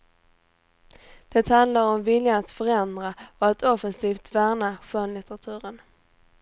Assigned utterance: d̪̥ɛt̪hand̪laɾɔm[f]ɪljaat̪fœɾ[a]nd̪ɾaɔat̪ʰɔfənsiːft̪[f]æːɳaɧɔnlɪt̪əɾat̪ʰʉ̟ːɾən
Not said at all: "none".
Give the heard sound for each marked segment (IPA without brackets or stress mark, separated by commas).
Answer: v, ɛ, v